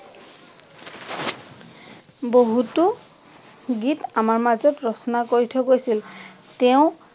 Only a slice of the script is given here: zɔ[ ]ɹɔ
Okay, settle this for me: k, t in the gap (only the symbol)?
t